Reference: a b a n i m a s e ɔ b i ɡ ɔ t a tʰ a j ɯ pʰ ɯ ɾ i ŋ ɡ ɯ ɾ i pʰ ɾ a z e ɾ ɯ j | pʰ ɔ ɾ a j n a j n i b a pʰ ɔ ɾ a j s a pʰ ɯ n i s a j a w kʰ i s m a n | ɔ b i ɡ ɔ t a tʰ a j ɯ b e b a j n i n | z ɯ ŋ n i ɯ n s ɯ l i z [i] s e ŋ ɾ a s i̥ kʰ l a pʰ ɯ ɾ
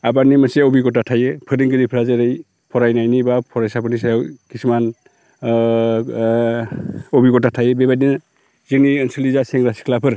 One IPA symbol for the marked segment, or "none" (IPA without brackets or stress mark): a